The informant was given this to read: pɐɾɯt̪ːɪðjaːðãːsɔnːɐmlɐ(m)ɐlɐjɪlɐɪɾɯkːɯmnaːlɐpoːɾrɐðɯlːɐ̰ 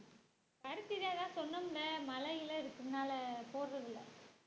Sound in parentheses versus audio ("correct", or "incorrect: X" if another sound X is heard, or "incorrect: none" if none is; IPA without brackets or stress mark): correct